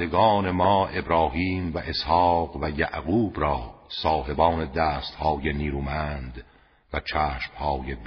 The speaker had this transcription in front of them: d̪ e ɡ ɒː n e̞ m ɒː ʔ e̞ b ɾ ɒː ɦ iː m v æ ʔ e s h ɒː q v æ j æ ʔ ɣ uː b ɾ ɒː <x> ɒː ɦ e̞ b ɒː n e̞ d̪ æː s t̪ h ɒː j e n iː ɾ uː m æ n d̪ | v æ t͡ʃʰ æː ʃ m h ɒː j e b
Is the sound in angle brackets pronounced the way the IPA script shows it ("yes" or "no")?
no